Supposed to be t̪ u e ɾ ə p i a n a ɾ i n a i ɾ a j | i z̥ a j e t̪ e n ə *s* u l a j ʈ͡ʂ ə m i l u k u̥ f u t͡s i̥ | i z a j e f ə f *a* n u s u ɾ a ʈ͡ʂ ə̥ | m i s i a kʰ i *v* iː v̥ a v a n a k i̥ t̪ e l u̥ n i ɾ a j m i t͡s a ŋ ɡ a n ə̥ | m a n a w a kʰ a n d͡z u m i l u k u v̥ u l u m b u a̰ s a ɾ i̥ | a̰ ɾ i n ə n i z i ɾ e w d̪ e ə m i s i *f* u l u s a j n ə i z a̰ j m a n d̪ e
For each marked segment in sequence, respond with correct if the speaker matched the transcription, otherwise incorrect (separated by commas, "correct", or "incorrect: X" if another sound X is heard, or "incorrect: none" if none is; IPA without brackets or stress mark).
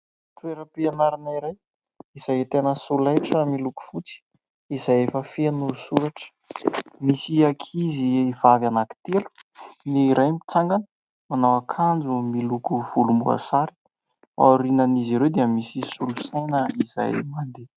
correct, incorrect: e, incorrect: z, incorrect: s